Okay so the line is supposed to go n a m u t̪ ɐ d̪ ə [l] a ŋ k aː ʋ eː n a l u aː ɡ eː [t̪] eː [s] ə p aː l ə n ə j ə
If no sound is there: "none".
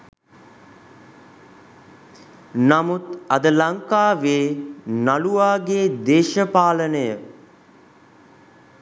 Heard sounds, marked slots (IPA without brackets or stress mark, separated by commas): l, d̪, ʃ